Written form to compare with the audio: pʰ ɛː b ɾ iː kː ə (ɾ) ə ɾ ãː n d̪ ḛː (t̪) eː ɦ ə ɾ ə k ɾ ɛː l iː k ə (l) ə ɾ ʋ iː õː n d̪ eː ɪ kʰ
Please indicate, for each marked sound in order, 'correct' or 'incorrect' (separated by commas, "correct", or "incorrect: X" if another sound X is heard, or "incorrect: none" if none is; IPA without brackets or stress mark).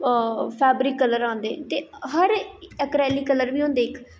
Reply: incorrect: l, correct, correct